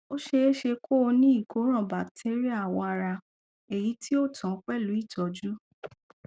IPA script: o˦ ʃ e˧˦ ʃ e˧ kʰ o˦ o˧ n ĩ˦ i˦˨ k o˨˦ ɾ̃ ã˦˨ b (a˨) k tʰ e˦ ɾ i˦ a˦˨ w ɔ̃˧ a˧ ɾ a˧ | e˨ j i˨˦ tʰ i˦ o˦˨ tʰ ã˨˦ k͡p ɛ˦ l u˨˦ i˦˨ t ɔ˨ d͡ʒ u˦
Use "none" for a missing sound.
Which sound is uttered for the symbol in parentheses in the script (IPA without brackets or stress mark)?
a˨